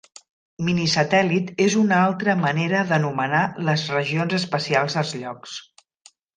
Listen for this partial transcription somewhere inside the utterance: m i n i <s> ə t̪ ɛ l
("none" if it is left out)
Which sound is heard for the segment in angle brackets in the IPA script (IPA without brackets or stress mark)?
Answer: s